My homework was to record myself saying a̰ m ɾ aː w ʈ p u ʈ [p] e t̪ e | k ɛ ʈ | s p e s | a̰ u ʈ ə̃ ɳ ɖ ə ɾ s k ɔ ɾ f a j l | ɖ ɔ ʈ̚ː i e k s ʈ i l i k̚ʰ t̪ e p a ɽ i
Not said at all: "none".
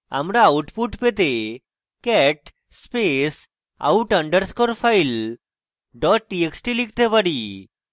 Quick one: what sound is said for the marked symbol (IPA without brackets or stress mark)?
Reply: p